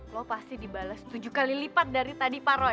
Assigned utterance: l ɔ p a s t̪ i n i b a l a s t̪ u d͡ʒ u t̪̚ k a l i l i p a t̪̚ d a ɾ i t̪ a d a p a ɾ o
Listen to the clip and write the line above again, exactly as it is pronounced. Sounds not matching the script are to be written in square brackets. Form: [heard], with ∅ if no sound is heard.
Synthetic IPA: l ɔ p a s t̪ i [d] i b a l a s t̪ u d͡ʒ u [∅] k a l i l i p a t̪̚ d a ɾ i t̪ a d [i] p a ɾ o

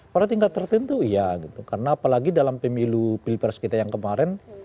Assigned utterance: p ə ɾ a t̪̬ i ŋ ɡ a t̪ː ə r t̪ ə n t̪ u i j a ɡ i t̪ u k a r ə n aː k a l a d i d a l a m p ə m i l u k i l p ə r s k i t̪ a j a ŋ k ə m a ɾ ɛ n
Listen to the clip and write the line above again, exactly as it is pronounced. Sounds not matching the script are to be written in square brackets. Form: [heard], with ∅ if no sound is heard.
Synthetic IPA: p [a] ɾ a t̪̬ i ŋ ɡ a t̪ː ə r t̪ ə n t̪ u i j a ɡ i t̪ u k a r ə n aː [p] a l a [ɡ] i d a l a m p ə m i l u [p] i l p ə r s k i t̪ a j a ŋ k ə m a ɾ ɛ n

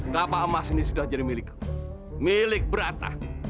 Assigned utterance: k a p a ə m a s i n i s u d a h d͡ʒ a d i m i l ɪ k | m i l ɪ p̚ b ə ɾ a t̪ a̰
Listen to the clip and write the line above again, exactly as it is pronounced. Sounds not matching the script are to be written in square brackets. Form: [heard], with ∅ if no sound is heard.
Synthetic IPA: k a p a ə m a s i n i s u d a h d͡ʒ a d i m i l ɪ k | m i l ɪ [k̚] b ə ɾ a t̪ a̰

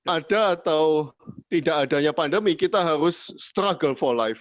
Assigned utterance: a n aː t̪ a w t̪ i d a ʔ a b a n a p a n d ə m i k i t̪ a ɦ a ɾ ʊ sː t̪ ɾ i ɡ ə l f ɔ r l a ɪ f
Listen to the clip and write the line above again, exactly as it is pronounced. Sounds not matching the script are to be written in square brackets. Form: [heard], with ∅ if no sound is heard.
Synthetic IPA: a [d] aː t̪ a w t̪ i d a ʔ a [d] a [ɲ] a p a n d ə m i k i t̪ a ɦ a ɾ ʊ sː t̪ ɾ [a] ɡ ə l f ɔ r l a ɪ f

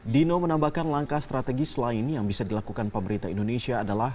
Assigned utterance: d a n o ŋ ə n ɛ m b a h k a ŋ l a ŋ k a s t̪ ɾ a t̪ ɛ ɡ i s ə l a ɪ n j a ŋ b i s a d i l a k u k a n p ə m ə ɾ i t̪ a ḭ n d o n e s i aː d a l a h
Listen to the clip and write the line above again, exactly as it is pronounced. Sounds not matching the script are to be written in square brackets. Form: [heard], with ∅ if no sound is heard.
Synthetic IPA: d [i] n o [m] ə n [a] m b a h k a [n] l a ŋ k a s t̪ ɾ a t̪ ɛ ɡ i s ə l a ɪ n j a ŋ b i s a d i l a k u k a n p ə m ə ɾ i t̪ a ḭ n d o n e s i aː d a l a h

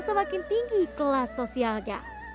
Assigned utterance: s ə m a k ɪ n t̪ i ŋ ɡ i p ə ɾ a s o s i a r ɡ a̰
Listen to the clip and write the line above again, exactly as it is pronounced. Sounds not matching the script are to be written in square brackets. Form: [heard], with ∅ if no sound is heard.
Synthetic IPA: s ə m a k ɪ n t̪ i ŋ ɡ i [k] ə [l] a s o s i a [l] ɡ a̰

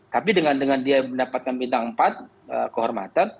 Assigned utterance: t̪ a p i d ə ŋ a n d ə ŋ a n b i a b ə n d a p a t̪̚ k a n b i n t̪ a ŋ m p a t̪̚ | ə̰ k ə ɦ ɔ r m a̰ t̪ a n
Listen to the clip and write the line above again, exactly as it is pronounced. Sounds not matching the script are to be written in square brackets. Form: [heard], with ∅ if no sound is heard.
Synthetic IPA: t̪ a p i d ə ŋ a n d ə ŋ a n [d] i a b ə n d a p a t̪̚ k a n b i n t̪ a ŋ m p a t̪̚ | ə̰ k ə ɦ ɔ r m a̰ t̪ a n

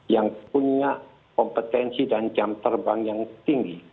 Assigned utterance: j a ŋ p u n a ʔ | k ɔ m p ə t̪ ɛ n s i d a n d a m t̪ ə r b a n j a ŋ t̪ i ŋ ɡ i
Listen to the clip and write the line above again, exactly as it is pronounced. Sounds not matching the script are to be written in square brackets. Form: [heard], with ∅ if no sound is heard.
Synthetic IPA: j a ŋ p u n a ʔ | k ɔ m p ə t̪ ɛ n s i d a n [d͡ʒ] a m t̪ ə r b a [ŋ] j a ŋ t̪ i ŋ ɡ i

